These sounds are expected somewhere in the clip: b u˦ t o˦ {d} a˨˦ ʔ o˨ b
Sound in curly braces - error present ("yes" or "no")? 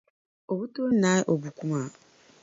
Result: yes